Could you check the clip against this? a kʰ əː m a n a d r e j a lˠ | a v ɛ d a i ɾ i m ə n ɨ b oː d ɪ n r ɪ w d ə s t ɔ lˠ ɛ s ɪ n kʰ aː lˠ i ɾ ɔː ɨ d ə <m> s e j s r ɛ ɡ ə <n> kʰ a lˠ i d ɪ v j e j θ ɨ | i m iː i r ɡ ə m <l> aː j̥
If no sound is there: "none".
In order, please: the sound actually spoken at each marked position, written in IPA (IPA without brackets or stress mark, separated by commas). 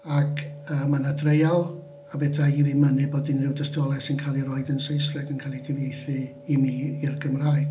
n, n, r